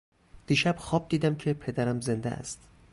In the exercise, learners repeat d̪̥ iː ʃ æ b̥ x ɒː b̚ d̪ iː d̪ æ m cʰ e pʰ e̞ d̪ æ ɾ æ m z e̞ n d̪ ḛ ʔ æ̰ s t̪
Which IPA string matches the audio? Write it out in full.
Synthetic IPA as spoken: d̪̥ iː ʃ æ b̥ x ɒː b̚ d̪ iː d̪ æ m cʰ e pʰ e̞ d̪ æ ɾ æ m z e̞ n d̪ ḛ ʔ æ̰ s t̪